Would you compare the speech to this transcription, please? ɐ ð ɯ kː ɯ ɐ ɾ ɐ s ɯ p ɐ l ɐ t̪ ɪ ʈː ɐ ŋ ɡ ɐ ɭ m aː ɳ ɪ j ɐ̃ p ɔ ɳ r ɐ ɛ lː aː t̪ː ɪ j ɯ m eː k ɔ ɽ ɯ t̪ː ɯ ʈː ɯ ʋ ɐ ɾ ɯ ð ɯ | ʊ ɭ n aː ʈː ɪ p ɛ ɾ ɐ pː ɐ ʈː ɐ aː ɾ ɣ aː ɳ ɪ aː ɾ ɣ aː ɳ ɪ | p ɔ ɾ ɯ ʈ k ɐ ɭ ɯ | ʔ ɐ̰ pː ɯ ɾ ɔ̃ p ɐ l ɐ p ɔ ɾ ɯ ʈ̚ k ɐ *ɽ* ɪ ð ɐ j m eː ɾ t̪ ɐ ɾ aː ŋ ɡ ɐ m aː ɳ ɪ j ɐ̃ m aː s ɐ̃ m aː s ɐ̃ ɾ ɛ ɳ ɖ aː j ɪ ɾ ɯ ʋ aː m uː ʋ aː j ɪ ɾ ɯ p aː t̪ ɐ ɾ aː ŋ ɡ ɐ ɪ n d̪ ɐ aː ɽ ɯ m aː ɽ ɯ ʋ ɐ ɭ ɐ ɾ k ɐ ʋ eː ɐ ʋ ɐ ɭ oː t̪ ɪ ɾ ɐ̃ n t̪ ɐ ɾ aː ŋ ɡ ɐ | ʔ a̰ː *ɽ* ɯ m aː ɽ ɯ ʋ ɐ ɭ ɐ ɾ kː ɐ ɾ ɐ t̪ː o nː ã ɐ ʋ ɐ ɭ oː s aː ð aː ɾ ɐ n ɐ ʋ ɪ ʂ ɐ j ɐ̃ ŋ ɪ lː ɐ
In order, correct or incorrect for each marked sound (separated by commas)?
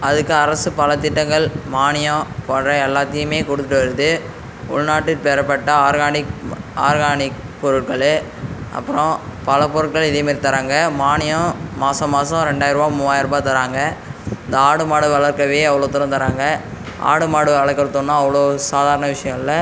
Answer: incorrect, correct